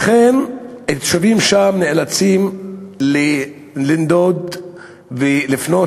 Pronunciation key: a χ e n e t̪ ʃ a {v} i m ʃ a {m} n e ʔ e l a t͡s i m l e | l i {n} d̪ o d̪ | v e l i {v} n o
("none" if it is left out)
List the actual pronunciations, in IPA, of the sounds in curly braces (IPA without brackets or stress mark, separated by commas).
v, m, n, f